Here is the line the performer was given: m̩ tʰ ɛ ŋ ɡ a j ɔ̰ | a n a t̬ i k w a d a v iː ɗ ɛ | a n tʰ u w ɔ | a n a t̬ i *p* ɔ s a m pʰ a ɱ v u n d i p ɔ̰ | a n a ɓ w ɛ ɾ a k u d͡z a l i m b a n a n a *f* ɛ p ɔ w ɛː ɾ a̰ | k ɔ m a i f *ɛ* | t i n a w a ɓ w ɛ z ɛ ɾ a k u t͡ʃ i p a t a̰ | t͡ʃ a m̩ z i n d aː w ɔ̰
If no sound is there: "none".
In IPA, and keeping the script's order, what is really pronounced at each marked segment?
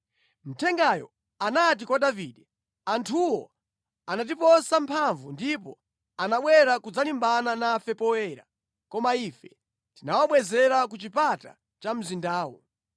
p, f, ɛ

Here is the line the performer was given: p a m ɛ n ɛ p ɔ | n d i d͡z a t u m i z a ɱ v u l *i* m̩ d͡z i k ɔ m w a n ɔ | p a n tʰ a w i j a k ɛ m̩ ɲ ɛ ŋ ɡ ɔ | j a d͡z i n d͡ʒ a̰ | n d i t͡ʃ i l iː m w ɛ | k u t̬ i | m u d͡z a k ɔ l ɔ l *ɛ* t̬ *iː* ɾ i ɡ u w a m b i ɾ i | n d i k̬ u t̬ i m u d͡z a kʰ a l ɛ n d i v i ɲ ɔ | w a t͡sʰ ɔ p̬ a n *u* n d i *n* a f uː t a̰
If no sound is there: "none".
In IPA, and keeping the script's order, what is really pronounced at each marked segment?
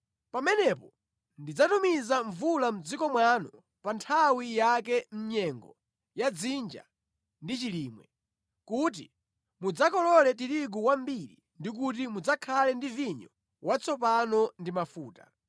a, ɛ, i, ɔ, m

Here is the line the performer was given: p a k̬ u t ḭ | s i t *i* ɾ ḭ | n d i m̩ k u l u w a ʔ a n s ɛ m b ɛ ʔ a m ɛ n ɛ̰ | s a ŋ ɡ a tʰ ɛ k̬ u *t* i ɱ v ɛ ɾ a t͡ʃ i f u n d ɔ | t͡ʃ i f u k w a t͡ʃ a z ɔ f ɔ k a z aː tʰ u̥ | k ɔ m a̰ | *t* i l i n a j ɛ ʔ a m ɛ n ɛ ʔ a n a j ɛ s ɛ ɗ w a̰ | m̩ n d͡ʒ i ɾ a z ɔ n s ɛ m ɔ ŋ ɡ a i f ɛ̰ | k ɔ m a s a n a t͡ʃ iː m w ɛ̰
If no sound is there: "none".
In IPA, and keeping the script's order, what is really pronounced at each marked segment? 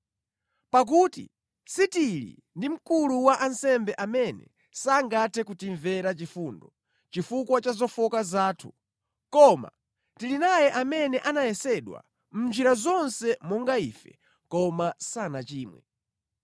i, t, t

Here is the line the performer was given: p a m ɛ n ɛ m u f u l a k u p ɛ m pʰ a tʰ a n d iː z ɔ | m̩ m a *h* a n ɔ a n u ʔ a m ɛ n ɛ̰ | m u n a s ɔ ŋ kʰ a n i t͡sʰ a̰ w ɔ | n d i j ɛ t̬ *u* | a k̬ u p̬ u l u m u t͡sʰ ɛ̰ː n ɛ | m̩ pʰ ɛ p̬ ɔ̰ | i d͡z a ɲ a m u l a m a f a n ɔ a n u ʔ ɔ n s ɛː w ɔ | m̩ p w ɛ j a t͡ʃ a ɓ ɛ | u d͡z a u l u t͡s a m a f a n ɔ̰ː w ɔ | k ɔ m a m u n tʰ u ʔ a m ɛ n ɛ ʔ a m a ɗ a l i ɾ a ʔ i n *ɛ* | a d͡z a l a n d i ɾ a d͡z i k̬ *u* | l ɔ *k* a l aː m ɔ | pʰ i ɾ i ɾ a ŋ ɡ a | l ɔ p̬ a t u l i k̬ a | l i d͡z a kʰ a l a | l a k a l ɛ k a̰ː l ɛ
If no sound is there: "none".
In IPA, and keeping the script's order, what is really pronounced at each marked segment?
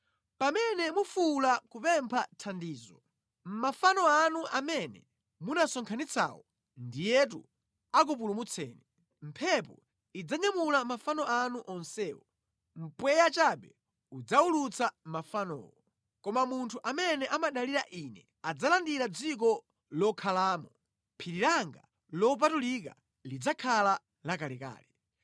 f, u, ɛ, ɔ, kʰ

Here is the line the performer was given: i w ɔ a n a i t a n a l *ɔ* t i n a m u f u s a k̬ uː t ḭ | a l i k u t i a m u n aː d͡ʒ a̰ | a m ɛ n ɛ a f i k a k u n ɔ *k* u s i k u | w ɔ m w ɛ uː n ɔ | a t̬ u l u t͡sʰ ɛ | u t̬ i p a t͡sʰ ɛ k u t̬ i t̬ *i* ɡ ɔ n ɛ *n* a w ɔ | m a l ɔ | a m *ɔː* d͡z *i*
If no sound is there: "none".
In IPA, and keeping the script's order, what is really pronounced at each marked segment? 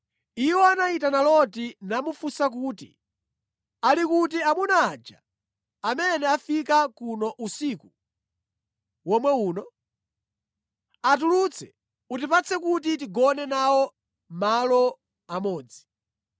ɔ, ʔ, i, n, ɔː, i

